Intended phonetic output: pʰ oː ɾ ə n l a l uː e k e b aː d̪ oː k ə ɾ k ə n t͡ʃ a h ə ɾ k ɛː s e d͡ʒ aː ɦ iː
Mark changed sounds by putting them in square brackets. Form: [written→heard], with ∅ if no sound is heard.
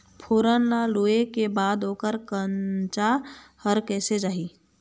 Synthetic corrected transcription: pʰ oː ɾ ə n l a l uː e k e b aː d̪ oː k ə ɾ k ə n t͡ʃ a h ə ɾ k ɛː s e d͡ʒ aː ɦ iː